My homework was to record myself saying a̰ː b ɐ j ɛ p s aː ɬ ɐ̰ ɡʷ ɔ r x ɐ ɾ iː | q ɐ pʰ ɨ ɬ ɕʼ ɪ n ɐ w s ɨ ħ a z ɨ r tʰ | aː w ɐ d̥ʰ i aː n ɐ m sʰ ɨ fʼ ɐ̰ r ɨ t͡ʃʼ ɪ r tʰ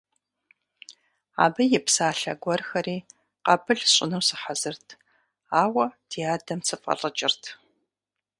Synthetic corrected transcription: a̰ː b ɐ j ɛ p s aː ɬ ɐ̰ ɡʷ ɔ r x ɐ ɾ iː | q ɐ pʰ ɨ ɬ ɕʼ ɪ n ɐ w s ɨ ħ a z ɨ r tʰ | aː w ɐ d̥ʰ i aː d ɐ m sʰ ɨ fʼ ɐ̰ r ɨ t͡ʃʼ ɪ r tʰ